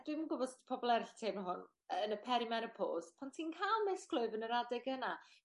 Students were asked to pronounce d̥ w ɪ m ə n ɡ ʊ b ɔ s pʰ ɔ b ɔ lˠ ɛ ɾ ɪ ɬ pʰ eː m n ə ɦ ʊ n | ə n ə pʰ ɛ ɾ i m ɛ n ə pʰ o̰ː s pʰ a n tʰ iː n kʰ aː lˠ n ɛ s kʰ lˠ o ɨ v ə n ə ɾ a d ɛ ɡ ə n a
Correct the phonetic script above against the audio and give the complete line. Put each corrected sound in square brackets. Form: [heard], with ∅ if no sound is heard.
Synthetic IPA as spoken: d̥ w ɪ m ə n ɡ ʊ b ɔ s pʰ ɔ b ɔ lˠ ɛ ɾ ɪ ɬ [tʰ] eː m n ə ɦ ʊ n | ə n ə pʰ ɛ ɾ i m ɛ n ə pʰ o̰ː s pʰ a n tʰ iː n kʰ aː lˠ [m] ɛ s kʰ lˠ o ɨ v ə n ə ɾ a d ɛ ɡ ə n a